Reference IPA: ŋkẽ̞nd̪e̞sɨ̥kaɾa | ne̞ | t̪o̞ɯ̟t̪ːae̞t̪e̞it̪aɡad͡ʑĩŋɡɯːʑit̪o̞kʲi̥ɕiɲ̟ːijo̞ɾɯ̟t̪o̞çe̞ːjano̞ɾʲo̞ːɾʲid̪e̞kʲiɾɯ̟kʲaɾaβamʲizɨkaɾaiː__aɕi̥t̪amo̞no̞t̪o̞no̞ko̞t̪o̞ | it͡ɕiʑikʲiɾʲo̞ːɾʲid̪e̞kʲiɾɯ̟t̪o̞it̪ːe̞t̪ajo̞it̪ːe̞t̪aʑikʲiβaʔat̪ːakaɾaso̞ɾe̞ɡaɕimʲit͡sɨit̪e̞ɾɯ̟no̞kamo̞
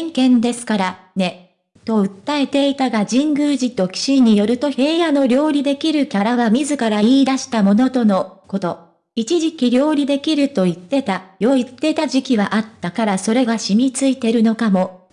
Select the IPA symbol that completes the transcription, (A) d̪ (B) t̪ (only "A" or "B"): A